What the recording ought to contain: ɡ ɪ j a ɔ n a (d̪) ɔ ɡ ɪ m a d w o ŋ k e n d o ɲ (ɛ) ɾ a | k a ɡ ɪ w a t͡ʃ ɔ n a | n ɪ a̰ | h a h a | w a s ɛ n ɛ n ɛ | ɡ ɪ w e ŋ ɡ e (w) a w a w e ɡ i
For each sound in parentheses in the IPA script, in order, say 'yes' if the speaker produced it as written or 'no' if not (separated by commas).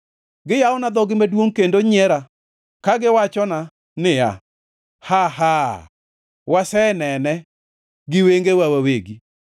yes, yes, yes